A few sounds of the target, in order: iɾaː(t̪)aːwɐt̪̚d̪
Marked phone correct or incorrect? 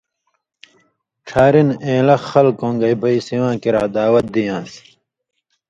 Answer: incorrect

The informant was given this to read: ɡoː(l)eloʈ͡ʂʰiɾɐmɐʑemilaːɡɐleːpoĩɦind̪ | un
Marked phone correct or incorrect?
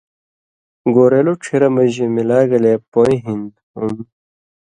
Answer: incorrect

